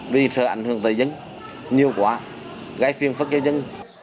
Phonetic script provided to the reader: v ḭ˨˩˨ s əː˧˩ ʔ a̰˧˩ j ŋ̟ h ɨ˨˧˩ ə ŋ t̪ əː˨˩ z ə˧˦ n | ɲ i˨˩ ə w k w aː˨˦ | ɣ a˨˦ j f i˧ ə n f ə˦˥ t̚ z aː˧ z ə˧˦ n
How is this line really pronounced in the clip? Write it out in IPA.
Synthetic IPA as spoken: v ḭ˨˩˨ s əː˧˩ ʔ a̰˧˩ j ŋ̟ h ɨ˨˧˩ ə ŋ t̪ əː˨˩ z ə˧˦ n | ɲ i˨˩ ə w k w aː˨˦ | ɣ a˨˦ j f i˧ ə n f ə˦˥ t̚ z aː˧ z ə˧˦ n

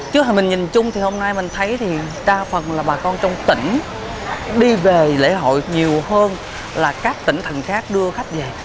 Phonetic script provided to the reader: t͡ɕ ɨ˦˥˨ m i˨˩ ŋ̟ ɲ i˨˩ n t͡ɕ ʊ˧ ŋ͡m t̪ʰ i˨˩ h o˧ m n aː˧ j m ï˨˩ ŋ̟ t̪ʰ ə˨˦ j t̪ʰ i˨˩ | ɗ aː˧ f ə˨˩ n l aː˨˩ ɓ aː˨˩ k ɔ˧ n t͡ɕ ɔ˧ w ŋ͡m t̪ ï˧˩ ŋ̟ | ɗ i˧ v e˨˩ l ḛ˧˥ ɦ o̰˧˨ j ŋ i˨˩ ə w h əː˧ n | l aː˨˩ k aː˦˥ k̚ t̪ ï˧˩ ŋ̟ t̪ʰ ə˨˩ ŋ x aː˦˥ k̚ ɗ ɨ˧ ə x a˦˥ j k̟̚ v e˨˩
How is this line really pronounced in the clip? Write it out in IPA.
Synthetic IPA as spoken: t͡ɕ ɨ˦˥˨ m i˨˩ ŋ̟ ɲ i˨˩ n t͡ɕ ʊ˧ ŋ͡m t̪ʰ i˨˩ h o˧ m n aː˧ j m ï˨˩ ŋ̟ t̪ʰ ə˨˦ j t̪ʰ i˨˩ | ɗ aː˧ f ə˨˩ n l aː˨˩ ɓ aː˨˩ k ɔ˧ n t͡ɕ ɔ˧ w ŋ͡m t̪ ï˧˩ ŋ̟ | ɗ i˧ v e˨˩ l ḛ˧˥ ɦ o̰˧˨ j ɲ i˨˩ ə w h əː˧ n | l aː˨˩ k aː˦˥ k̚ t̪ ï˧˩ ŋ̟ t̪ʰ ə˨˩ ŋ x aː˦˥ k̚ ɗ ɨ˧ ə x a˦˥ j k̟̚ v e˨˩

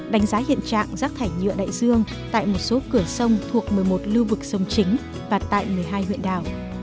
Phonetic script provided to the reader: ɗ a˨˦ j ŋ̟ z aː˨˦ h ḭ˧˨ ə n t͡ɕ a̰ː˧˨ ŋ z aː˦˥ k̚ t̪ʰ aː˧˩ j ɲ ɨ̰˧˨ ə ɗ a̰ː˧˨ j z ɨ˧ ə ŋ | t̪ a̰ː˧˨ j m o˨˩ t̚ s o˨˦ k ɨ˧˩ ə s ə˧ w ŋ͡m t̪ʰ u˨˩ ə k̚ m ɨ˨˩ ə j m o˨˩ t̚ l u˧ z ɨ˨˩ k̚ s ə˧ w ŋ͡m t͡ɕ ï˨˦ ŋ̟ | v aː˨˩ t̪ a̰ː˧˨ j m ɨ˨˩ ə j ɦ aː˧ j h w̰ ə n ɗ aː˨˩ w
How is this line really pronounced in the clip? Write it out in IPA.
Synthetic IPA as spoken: ɗ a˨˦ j ŋ̟ z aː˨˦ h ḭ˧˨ ə n t͡ɕ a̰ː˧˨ ŋ z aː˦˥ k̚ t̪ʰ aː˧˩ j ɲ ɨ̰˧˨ ə ɗ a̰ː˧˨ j z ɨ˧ ə ŋ | t̪ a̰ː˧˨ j m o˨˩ t̚ s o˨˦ k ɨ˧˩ ə s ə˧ w ŋ͡m t̪ʰ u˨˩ ə k̚ m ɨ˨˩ ə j m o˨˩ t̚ l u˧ v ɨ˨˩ k̚ s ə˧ w ŋ͡m t͡ɕ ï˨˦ ŋ̟ | v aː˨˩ t̪ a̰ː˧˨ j m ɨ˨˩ ə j ɦ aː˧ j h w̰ ə n ɗ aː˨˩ w

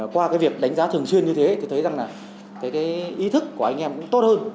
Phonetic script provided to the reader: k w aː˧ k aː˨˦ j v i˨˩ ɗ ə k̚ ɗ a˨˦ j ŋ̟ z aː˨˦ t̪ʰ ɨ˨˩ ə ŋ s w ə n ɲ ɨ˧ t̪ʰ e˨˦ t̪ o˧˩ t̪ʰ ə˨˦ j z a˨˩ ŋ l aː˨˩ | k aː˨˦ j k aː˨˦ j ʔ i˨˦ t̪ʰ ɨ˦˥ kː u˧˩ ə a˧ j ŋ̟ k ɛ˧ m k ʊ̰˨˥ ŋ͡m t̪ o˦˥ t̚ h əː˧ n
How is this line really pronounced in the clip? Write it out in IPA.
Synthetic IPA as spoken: k w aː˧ k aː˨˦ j v i˨˩ ə k̚ ɗ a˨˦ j ŋ̟ z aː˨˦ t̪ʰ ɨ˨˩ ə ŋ s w ə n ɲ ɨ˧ t̪ʰ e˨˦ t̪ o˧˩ t̪ʰ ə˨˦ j z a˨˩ ŋ l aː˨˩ | k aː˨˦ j k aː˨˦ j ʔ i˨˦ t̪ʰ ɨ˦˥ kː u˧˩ ə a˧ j ŋ̟ ʔ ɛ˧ m k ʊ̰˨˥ ŋ͡m t̪ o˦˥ t̚ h əː˧ n

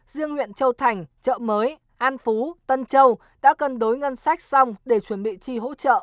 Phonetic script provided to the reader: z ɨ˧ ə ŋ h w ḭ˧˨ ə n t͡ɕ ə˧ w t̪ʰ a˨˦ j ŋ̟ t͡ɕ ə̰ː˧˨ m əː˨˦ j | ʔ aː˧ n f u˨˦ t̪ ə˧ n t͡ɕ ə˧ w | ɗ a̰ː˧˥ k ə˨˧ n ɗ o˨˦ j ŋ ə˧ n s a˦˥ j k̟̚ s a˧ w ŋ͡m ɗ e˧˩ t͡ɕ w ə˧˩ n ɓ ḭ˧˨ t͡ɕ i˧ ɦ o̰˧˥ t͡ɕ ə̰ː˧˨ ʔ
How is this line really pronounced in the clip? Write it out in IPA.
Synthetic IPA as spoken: z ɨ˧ ə ŋ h w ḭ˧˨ ə n t͡ɕ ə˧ w t̪ʰ a˨˩ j ŋ̟ t͡ɕ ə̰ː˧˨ m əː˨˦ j | ʔ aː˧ n f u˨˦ t̪ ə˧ n t͡ɕ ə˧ w | ɗ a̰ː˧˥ k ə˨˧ n ɗ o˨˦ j ŋ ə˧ n s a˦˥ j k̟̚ s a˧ w ŋ͡m ɗ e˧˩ t͡ɕ w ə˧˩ n ɓ ḭ˧˨ t͡ɕ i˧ ɦ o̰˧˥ t͡ɕ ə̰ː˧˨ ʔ

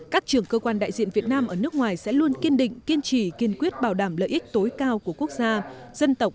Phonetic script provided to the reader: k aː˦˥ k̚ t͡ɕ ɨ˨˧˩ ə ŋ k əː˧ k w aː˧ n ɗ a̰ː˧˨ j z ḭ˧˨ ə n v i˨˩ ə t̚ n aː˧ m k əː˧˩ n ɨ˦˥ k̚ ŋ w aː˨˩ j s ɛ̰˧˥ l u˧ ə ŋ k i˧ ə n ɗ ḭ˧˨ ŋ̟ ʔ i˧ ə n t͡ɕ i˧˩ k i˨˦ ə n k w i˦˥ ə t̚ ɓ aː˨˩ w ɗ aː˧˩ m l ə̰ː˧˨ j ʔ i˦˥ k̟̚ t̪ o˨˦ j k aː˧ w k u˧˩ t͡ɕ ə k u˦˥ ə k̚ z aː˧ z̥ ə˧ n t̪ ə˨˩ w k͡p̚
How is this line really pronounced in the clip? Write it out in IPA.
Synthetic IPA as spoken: k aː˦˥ k̚ t͡ɕ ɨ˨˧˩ ə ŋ k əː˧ k w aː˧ n ɗ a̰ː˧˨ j z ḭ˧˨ ə n v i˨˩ ə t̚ n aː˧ m ʔ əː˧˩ n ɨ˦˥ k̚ ŋ w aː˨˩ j s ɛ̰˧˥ l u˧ ə n k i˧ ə n ɗ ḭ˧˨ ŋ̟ k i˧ ə n t͡ɕ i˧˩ k i˧˩ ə n k w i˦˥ ə t̚ ɓ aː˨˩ w ɗ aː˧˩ m l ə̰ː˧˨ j ʔ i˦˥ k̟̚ t̪ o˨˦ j k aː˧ w k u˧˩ ə k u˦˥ ə k̚ z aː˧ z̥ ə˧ n t̪ ə˨˩ w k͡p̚

